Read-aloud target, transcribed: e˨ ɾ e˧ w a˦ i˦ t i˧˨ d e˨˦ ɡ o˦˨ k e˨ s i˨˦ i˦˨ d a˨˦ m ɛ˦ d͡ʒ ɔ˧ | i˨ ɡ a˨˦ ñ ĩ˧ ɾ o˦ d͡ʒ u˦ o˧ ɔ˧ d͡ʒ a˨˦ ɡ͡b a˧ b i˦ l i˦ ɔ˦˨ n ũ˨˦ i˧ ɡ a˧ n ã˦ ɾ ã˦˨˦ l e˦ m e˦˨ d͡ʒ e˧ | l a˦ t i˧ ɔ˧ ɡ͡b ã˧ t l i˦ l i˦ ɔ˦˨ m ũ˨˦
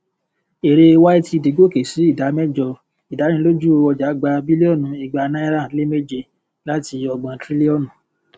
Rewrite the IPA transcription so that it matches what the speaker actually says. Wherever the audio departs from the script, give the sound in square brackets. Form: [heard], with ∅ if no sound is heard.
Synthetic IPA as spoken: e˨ ɾ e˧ w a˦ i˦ t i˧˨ d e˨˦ ɡ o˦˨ k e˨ s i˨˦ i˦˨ d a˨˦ m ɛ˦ d͡ʒ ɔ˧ | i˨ [d] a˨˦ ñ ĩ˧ [l] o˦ d͡ʒ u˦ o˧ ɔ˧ d͡ʒ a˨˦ ɡ͡b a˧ b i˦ l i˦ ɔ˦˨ n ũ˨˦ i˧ [ɡ͡b] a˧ n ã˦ ɾ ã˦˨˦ l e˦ m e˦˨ d͡ʒ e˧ | l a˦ t i˧ ɔ˧ ɡ͡b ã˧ t [ɾ] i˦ l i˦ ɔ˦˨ [n] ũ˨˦